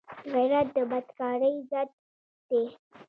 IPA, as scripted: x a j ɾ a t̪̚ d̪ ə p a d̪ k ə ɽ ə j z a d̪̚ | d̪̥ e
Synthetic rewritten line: ɣ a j ɾ a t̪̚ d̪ ə b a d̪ k ɑ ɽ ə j z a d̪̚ | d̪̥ e